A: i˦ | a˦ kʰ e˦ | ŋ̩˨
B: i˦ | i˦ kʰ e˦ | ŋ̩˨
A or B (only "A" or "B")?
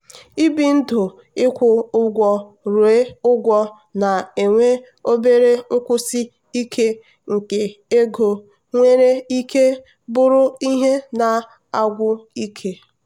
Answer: B